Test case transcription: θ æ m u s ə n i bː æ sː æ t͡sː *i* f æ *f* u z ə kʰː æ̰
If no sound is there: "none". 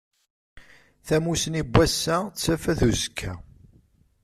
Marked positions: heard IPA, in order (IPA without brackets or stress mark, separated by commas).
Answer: æ, θ